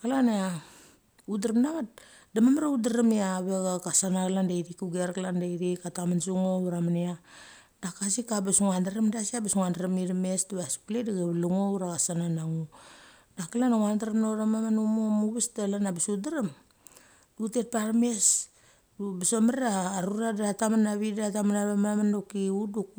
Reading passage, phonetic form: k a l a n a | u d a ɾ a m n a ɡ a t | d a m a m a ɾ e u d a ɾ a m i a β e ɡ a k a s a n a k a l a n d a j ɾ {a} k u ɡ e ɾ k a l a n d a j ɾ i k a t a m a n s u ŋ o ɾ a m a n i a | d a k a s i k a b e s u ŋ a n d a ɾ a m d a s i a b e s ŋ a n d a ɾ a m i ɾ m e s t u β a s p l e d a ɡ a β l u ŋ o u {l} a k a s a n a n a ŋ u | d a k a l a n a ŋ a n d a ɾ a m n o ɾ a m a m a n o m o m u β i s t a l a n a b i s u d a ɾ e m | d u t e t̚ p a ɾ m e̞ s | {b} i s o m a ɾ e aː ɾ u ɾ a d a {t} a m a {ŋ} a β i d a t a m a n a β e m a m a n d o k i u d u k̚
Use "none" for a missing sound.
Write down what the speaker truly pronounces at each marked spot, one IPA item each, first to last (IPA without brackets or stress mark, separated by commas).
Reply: i, ɾ, b, t, n